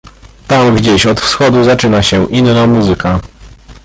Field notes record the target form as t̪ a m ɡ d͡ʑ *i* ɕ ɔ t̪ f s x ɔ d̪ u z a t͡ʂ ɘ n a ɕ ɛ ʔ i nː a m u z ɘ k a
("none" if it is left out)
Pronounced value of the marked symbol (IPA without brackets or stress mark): e